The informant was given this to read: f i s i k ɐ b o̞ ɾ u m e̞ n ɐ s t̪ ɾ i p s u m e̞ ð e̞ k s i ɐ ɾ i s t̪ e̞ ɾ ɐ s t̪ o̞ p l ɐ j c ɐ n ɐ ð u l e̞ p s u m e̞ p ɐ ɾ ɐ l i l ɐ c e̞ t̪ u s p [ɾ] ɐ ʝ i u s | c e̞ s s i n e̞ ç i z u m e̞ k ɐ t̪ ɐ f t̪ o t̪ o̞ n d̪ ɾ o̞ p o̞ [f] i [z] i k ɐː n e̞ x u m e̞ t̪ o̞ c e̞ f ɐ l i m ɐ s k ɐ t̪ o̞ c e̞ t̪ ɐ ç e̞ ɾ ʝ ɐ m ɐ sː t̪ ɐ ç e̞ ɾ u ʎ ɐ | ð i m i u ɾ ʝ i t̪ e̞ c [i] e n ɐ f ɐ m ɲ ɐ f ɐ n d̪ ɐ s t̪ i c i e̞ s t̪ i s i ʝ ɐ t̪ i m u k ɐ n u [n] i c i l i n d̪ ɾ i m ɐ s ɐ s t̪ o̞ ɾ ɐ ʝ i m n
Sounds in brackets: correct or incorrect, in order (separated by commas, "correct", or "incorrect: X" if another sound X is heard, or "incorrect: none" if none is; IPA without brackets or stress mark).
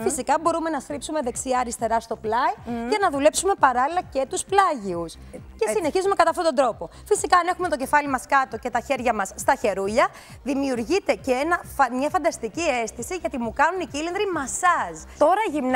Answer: incorrect: l, correct, incorrect: s, incorrect: e, correct